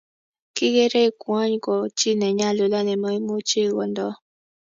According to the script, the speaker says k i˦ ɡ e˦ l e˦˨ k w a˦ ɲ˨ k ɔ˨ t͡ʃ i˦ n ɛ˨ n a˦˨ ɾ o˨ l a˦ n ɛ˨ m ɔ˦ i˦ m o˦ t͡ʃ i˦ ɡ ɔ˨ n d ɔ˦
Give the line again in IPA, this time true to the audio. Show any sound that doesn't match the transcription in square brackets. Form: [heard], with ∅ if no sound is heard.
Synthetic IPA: k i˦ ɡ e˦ [ɾ] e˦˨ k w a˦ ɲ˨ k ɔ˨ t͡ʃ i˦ n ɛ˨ [ɲ] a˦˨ [l] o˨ l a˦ n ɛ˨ m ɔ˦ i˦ m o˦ t͡ʃ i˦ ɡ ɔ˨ n d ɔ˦